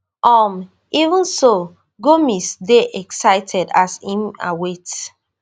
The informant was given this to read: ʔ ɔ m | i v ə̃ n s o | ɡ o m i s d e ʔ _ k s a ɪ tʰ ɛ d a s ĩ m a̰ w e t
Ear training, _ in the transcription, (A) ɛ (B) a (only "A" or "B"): A